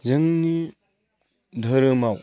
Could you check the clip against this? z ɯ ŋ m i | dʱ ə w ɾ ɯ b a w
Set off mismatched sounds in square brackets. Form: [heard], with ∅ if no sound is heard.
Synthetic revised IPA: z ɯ ŋ [n] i | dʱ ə [∅] ɾ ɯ [m] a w